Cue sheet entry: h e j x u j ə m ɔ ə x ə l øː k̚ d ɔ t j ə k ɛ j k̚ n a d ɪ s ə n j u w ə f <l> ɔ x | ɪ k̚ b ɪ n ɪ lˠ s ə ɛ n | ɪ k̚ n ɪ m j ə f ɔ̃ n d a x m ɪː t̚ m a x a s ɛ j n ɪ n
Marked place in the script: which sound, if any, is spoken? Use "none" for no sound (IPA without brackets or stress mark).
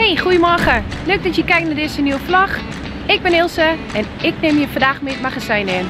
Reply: l